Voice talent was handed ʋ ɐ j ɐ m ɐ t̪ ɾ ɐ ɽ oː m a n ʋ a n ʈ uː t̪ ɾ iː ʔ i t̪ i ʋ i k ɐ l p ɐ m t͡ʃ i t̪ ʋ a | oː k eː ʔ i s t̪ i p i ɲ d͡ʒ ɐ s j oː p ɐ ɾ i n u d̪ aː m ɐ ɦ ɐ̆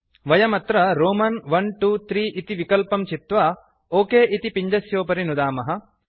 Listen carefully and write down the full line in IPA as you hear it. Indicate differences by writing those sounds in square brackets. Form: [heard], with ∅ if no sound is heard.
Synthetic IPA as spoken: ʋ ɐ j ɐ m ɐ t̪ ɾ ɐ [ɾ] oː m [ɐ] n ʋ [ɐ] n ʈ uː t̪ ɾ iː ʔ i t̪ i ʋ i k ɐ l p ɐ m t͡ʃ i t̪ ʋ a | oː k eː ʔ i [∅] t̪ i p i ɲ d͡ʒ ɐ s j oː p ɐ ɾ i n u d̪ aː m ɐ ɦ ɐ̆

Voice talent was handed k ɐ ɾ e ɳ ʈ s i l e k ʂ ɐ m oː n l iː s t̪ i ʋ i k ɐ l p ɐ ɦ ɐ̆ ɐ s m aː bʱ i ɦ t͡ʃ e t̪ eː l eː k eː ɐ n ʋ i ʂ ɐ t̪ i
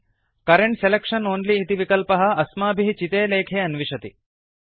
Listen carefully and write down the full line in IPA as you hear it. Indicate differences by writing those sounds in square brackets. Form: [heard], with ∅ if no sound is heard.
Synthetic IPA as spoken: k ɐ ɾ e ɳ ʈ s [e] l e k ʂ ɐ [n] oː n l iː [∅] t̪ i ʋ i k ɐ l p ɐ ɦ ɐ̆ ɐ s m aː bʱ i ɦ t͡ʃ [i] t̪ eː l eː [kʰ] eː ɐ n ʋ i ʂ ɐ t̪ i

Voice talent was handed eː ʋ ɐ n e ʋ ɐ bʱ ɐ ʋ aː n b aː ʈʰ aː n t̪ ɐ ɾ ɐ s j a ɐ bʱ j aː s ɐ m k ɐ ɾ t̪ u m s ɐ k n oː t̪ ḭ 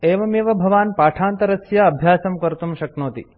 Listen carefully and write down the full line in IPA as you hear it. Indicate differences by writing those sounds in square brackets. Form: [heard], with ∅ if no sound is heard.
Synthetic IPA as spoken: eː ʋ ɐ [m] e ʋ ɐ bʱ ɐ ʋ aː n [p] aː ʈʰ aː n t̪ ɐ ɾ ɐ s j a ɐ bʱ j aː s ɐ m k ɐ ɾ t̪ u m [ʃ] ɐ k n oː t̪ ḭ

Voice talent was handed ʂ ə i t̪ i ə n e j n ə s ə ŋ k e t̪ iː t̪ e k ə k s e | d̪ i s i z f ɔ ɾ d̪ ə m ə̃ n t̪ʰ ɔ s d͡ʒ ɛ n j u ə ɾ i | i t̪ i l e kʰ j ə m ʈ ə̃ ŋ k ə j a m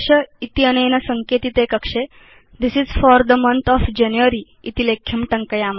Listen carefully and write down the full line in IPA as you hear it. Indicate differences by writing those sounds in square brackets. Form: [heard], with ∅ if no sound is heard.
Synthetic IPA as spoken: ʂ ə i t̪ i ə n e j n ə s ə ŋ k e t̪ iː t̪ e k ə k [ʂ] e | d̪ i s i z f ɔ ɾ d̪ ə m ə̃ n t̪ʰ ɔ [f] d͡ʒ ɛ n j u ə ɾ i | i t̪ i l e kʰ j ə m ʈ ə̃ ŋ k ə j a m

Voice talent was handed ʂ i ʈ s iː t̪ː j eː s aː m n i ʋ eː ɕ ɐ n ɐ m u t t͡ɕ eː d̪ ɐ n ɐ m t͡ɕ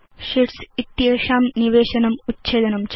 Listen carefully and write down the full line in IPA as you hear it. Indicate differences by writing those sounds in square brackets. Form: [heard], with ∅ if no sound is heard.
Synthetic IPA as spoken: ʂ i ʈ s [i] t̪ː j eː [ʂ] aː m n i ʋ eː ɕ ɐ n ɐ m u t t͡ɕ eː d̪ ɐ n ɐ m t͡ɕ

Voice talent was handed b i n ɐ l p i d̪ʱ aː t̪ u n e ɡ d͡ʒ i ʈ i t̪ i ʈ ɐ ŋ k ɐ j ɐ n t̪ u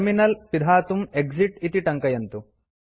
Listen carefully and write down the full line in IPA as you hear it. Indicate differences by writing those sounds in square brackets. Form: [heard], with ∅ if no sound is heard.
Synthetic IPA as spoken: [m] i n ɐ l p i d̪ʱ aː t̪ u [m] e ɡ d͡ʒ i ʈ i t̪ i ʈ ɐ ŋ k ɐ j ɐ n t̪ u

